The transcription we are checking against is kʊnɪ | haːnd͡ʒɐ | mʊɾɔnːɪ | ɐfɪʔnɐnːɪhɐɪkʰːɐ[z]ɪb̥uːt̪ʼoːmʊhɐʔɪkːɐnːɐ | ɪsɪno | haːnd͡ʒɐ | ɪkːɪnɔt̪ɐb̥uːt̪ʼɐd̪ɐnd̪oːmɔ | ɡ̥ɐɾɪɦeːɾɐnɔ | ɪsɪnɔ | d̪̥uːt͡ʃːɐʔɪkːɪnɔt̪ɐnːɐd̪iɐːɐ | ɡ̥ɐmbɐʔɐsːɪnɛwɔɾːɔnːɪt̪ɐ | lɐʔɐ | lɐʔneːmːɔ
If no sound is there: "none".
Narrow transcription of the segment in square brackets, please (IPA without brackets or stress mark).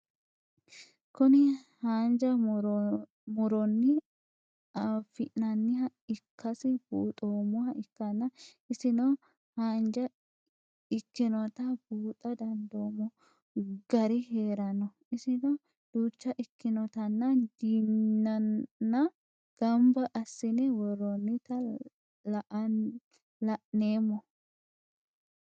s